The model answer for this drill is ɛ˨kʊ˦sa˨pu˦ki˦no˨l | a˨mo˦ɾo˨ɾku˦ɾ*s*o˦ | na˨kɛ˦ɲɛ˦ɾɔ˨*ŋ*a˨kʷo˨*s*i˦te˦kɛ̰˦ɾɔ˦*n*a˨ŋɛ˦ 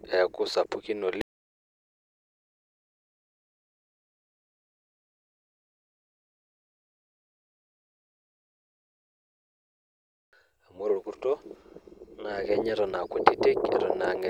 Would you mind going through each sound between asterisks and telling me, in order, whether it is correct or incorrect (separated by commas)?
incorrect, incorrect, incorrect, correct